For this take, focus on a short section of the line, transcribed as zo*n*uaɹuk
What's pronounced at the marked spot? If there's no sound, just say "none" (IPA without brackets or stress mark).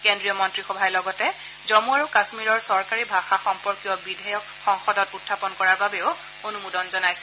m